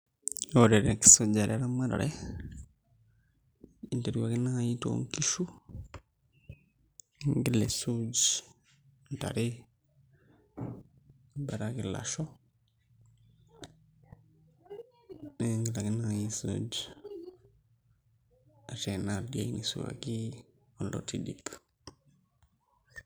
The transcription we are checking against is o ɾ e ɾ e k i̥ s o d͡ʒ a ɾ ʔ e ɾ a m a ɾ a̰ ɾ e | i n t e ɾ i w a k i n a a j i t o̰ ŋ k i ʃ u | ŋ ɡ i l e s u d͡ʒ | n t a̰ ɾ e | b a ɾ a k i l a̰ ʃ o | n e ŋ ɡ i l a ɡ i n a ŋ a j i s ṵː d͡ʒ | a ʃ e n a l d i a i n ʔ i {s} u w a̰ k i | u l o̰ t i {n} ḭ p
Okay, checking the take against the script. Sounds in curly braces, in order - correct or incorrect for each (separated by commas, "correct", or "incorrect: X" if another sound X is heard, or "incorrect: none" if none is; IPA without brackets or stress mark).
correct, incorrect: d